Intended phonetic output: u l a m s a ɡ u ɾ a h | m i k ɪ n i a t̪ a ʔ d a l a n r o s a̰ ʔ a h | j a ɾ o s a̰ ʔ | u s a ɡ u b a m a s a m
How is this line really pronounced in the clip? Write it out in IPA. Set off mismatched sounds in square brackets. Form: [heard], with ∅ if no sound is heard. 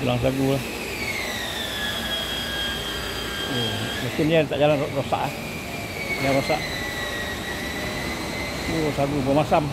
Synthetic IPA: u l a [ŋ] s a ɡ u [l] a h | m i k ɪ n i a t̪ a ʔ [d͡ʒ] a l a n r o s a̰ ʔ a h | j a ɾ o s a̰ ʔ | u s a ɡ u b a m a s a m